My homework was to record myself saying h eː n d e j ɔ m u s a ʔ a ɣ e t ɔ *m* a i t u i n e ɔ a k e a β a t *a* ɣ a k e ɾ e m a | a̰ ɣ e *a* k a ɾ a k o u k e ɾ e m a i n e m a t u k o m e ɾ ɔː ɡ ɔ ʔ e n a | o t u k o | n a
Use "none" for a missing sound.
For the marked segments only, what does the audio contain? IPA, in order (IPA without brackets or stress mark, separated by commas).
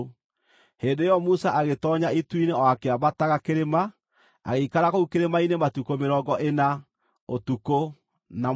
ɲ, a, i